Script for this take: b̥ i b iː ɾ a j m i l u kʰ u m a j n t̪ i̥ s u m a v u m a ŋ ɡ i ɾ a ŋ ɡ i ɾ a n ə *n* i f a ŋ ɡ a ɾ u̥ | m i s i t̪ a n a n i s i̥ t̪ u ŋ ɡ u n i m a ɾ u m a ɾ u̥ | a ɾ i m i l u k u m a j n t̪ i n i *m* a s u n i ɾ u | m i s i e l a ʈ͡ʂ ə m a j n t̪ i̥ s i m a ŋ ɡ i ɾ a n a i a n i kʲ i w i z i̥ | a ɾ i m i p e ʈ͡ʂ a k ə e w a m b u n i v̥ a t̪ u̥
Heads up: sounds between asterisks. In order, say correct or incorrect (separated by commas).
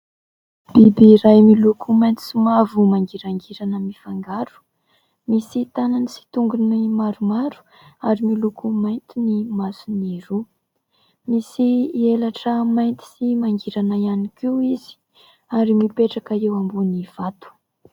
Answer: incorrect, correct